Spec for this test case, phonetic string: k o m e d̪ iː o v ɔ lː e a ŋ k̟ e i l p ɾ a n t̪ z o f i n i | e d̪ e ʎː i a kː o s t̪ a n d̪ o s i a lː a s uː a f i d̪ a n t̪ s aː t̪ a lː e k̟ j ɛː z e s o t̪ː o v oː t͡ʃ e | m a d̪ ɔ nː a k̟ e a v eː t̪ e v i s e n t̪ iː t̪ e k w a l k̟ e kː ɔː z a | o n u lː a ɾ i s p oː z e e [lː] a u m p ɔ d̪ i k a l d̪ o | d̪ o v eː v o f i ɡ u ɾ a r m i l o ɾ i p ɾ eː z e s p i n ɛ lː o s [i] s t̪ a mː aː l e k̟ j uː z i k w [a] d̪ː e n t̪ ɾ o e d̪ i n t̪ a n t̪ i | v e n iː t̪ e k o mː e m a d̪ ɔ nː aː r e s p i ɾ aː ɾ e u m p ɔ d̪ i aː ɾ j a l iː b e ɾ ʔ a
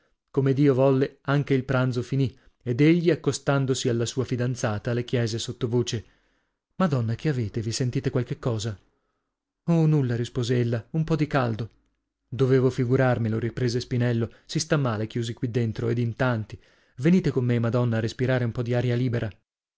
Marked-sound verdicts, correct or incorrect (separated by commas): correct, correct, incorrect